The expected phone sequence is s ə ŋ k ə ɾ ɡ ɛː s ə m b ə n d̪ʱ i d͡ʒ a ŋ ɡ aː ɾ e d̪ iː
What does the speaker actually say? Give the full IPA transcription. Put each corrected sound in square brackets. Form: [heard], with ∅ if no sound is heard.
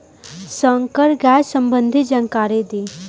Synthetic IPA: s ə ŋ k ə ɾ ɡ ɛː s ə m b ə n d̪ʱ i d͡ʒ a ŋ [k] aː ɾ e d̪ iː